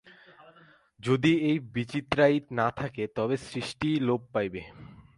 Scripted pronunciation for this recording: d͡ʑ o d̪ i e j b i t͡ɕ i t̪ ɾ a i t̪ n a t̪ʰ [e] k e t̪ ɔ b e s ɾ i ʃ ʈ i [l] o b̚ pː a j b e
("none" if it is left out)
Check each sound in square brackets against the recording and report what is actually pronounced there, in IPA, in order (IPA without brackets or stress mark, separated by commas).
a, l